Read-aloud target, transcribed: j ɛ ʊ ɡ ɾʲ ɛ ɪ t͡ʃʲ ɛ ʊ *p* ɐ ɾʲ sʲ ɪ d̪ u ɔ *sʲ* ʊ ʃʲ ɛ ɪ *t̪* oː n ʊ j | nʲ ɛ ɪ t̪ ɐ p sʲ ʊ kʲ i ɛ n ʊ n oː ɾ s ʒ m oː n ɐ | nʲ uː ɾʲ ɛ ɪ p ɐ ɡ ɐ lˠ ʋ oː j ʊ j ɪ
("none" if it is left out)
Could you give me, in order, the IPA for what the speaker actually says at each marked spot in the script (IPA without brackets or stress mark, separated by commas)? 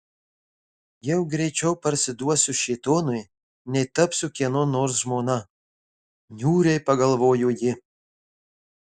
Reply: p, sʲ, t̪